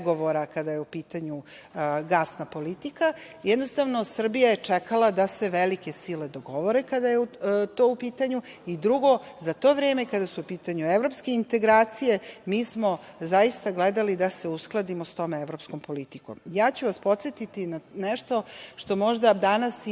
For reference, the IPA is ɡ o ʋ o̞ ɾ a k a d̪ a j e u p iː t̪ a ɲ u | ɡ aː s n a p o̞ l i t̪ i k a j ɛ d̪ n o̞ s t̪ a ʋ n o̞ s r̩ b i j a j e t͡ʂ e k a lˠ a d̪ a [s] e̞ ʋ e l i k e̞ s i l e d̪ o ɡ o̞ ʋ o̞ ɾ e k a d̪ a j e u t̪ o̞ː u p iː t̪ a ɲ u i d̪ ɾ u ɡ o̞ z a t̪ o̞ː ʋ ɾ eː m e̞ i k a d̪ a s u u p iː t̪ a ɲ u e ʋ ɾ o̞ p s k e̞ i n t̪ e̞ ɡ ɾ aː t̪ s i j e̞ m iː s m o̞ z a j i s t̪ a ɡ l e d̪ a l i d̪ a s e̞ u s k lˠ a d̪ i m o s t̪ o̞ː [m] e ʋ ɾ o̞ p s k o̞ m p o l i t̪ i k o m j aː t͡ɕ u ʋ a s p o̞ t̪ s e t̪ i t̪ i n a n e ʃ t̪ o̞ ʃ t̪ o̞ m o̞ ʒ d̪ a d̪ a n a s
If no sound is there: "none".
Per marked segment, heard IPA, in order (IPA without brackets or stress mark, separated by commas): s, m